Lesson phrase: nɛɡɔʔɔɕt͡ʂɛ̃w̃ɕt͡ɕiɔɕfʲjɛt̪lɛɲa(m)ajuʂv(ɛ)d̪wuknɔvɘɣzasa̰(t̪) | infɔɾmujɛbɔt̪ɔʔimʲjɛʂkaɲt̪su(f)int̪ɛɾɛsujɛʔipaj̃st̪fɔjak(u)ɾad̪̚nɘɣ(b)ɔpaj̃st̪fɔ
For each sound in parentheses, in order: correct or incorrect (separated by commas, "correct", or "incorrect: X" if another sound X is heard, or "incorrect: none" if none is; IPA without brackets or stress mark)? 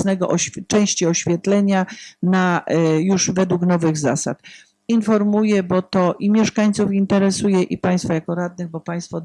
incorrect: n, correct, correct, correct, incorrect: ɔ, correct